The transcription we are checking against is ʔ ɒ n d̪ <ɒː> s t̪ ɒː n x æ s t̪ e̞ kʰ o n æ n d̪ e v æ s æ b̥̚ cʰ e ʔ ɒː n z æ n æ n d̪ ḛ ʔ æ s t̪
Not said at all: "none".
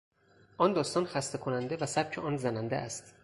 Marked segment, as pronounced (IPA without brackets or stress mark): ɒː